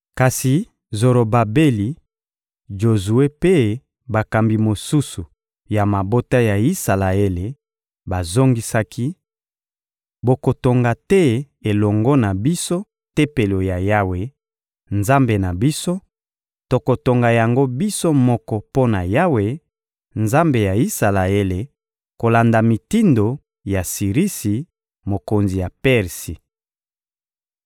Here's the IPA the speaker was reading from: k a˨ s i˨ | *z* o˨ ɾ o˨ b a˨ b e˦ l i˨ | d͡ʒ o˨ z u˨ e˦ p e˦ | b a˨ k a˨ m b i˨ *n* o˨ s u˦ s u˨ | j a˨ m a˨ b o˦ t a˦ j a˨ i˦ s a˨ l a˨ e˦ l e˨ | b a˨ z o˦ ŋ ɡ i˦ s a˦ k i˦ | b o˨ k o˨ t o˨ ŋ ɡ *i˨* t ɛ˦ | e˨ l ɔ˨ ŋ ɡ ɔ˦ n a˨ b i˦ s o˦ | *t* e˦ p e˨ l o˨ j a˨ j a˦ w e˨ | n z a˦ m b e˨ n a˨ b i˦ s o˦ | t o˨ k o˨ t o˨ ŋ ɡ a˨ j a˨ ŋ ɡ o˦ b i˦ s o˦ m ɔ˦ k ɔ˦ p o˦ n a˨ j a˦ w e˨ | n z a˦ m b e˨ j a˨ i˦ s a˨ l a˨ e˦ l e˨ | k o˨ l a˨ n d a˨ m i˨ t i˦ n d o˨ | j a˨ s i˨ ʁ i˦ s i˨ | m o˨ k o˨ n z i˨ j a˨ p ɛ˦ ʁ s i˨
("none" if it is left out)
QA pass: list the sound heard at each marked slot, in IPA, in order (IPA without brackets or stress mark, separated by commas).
z, m, a˨, t